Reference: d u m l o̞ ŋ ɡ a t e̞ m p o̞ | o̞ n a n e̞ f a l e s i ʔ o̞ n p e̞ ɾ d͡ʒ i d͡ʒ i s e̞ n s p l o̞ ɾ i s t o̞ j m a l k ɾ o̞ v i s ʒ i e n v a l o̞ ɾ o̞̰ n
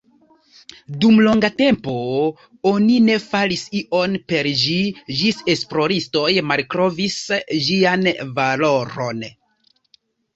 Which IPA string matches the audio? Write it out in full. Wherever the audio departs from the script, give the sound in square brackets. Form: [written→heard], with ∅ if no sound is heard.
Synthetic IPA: d u m l o̞ ŋ ɡ a t e̞ m p o̞ | o̞ n [a→i] n e̞ f a l [e→i] s i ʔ o̞ n p e̞ ɾ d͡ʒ i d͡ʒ i s e̞ [n→∅] s p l o̞ ɾ i s t o̞ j m a l k ɾ o̞ v i s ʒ i [e→a] n v a l o̞ ɾ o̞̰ n